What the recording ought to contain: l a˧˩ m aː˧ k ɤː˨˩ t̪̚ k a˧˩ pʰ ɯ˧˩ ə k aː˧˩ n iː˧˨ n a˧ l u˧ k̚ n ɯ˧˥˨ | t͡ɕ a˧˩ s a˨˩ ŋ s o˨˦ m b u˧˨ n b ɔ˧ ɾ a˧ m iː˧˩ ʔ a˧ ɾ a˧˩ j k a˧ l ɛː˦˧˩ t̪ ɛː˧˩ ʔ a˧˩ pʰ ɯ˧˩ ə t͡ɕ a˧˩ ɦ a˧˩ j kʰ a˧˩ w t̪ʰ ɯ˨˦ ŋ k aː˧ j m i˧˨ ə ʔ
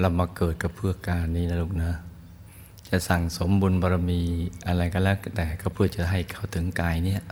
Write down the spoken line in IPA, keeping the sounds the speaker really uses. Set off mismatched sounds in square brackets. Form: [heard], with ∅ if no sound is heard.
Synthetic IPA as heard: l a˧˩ m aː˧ k ɤː˨˩ t̪̚ k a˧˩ pʰ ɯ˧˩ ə k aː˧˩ n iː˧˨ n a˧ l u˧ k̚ n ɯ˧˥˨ | t͡ɕ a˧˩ s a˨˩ ŋ s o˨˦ m b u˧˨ n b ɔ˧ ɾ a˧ m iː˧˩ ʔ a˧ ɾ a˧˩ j k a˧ l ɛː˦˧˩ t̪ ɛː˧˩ [k] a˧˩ pʰ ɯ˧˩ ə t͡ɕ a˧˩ ɦ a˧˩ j kʰ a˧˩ w t̪ʰ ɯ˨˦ ŋ k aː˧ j [n] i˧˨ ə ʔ